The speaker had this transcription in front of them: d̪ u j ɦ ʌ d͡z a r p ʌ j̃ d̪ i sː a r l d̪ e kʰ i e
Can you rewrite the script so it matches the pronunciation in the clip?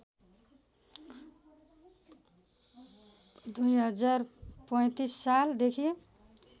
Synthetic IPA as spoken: d̪ u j ɦ ʌ d͡z a r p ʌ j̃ t̪ i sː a l d̪ e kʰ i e